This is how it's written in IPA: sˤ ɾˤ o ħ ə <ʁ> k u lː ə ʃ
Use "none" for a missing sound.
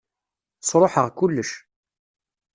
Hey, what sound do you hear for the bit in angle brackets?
ʁ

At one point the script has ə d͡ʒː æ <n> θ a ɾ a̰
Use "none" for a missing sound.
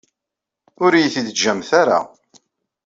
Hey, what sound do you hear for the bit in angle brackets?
m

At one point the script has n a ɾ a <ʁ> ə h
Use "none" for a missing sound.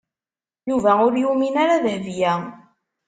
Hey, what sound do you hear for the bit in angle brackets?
ð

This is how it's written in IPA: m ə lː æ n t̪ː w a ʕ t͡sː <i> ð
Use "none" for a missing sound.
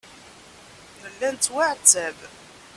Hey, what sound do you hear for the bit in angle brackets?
æ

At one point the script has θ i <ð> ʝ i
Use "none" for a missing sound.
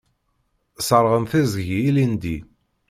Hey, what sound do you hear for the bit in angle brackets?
z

